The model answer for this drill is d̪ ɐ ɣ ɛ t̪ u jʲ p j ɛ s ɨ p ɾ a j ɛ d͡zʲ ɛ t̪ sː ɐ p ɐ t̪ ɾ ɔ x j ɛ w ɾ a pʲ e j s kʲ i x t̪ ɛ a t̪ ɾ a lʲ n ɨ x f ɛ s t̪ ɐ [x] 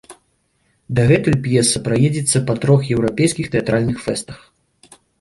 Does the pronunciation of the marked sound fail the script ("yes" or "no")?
no